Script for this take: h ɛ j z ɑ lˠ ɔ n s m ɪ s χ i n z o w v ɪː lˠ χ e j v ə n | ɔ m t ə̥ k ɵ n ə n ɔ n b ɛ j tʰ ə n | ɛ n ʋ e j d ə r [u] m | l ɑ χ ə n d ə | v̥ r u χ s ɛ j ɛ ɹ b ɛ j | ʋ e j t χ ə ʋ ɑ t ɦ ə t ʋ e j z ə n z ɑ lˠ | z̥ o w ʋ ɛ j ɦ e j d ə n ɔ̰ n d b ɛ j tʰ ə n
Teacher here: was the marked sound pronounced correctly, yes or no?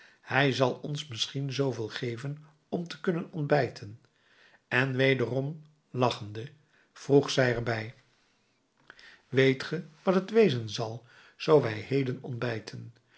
no